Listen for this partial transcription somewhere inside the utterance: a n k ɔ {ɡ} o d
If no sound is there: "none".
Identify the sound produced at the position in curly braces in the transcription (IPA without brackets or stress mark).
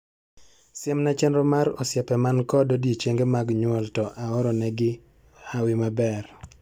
d